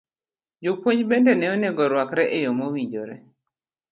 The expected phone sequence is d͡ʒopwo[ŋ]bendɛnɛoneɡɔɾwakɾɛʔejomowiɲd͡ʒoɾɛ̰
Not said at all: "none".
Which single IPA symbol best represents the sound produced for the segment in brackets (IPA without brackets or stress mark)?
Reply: ɲ